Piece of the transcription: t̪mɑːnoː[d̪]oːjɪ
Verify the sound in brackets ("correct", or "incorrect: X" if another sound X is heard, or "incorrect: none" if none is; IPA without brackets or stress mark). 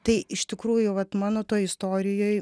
incorrect: t̪